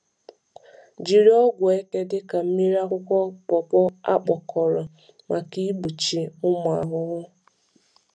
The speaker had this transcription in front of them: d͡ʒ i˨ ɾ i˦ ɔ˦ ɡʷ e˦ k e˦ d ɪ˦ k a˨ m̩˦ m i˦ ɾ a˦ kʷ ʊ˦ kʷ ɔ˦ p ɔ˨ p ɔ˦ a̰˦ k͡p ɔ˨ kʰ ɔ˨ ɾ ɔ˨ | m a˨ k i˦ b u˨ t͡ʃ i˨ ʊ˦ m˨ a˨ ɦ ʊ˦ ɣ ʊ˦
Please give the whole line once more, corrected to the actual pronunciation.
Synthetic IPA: d͡ʒ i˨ ɾ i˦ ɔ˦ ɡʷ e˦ k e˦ d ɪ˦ k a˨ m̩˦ m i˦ ɾ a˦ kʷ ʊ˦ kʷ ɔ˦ p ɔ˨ p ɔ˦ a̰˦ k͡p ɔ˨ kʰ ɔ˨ ɾ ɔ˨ | m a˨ k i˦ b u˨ t͡ʃ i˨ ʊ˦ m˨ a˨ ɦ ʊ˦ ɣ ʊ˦